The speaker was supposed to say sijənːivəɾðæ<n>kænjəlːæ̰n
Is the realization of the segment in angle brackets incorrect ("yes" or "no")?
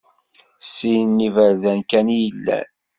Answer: no